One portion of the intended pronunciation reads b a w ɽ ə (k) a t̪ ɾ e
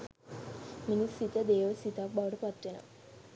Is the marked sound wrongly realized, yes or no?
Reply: yes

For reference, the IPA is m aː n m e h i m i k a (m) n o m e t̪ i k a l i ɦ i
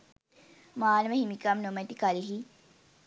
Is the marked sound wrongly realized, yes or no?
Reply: no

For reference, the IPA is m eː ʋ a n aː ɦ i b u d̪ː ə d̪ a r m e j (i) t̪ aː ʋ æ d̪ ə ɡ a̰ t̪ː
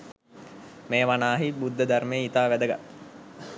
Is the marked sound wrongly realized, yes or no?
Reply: no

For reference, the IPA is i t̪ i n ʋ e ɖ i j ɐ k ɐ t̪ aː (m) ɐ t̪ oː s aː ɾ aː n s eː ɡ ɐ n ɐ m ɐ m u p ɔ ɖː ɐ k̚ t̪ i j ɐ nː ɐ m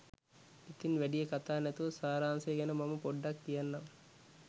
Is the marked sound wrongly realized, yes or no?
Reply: yes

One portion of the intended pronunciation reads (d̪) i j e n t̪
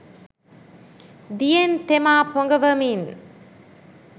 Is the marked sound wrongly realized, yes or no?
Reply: no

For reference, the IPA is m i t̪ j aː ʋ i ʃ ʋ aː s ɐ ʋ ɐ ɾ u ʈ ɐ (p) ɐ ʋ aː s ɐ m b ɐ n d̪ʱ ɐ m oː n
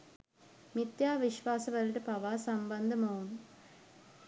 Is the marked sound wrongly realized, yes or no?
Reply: no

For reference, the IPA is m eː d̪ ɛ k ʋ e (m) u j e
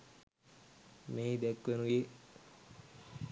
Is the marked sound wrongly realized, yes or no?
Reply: yes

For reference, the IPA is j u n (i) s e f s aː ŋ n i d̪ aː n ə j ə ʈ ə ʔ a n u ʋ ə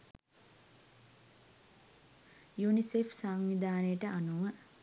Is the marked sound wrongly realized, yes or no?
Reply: no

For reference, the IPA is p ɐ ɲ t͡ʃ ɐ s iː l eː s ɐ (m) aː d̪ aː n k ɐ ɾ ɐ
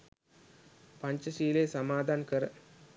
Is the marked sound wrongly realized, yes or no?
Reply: no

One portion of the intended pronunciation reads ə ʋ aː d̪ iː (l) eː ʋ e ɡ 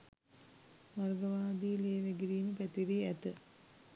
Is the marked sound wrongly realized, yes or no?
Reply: no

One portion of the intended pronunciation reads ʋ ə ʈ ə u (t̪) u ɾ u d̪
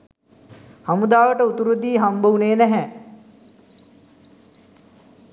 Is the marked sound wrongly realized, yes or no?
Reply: no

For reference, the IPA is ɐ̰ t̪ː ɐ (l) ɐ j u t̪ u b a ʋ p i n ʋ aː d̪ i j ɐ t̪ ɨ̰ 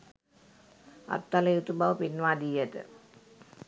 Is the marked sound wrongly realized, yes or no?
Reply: no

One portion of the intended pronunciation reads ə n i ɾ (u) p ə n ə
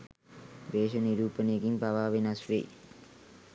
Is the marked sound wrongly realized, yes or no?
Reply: yes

